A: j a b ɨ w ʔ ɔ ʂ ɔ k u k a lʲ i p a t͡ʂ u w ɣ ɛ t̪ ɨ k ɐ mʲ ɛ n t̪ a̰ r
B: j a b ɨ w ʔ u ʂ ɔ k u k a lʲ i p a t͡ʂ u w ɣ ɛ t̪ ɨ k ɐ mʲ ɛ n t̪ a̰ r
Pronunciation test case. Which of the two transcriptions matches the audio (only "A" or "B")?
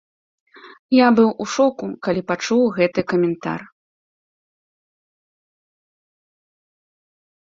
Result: B